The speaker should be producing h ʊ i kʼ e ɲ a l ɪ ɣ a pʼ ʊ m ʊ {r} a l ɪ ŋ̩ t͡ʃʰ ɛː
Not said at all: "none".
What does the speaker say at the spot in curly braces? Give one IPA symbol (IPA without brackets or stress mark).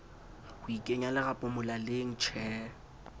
l